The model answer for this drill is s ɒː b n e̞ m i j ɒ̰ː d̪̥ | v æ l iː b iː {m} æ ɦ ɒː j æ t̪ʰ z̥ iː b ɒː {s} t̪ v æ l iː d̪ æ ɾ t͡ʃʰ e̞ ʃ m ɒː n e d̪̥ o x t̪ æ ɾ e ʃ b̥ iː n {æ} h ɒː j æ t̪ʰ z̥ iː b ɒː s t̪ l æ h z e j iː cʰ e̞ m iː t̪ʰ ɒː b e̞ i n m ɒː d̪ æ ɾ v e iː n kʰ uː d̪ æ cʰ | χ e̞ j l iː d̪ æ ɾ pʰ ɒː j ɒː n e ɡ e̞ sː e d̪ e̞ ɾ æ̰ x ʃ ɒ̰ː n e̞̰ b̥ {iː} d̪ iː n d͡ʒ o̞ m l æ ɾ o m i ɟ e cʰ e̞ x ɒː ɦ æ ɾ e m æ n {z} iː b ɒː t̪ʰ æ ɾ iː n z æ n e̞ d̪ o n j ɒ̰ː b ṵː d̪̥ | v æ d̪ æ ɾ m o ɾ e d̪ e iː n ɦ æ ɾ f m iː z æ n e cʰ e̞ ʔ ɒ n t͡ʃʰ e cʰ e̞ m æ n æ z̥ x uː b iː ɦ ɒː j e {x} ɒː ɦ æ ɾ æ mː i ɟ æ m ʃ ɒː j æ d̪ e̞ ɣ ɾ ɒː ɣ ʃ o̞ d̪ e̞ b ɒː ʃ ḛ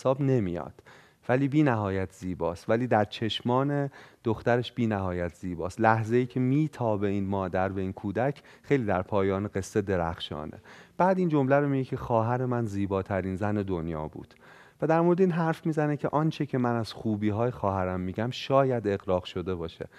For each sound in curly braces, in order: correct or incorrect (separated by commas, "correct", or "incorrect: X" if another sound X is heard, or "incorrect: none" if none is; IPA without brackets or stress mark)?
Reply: incorrect: n, correct, correct, incorrect: æː, correct, correct